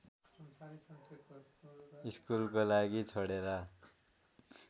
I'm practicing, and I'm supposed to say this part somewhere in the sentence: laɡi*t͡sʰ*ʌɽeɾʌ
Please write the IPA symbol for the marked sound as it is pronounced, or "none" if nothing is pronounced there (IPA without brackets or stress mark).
t͡sʰ